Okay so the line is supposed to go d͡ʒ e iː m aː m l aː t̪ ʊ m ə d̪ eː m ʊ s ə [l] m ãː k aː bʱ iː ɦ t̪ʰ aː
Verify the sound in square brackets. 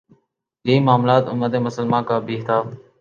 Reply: correct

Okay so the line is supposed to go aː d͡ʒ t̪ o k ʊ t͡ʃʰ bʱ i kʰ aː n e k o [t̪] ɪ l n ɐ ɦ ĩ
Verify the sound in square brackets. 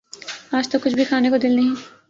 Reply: incorrect: d̪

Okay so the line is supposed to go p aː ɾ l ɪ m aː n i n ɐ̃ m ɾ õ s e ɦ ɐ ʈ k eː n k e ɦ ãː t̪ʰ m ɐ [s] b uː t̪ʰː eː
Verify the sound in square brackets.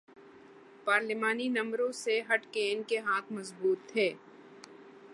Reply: incorrect: z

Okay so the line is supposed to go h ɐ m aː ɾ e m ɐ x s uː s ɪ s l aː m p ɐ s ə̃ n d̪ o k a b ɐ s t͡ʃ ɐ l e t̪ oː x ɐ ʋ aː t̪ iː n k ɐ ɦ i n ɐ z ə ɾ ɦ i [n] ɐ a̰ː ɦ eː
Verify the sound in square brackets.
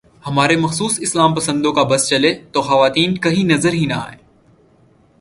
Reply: correct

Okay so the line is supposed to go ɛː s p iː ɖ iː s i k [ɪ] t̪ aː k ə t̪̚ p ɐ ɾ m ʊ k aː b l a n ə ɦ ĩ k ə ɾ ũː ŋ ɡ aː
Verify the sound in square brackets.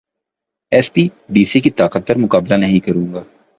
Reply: incorrect: i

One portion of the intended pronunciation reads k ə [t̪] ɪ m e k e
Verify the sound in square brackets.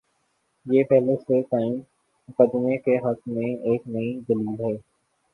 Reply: incorrect: d̪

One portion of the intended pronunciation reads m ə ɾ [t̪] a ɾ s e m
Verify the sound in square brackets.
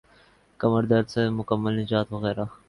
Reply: incorrect: d̪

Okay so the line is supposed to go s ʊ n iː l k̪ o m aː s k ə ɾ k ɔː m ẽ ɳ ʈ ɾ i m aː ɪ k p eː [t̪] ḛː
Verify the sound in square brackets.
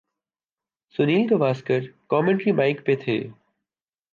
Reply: incorrect: t̪ʰ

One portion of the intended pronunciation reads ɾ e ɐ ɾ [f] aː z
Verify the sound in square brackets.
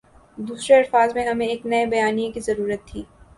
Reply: correct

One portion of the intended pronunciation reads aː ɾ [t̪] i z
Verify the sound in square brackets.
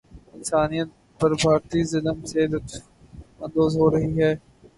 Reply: correct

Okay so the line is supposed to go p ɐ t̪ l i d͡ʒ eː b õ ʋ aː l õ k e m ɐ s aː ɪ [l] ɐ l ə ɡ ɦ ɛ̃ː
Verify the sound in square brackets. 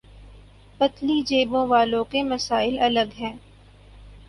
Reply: correct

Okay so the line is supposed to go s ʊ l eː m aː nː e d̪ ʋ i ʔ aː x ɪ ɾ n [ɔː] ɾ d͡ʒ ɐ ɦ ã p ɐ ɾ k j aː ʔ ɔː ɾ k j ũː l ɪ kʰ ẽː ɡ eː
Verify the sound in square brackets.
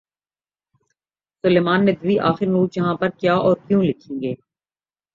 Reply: incorrect: uː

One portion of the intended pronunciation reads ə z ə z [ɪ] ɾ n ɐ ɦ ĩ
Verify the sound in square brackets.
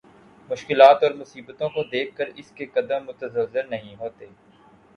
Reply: correct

